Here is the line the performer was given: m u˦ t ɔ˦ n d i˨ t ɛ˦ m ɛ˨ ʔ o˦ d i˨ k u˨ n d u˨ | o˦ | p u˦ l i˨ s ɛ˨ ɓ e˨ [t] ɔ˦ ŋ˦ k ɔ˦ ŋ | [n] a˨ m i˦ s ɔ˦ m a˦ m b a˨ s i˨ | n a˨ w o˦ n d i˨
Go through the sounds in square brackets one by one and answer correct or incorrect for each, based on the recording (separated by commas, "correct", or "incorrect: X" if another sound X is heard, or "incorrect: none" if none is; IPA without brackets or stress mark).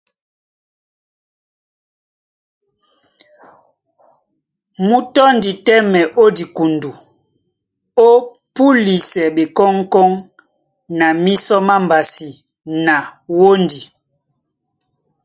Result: incorrect: k, correct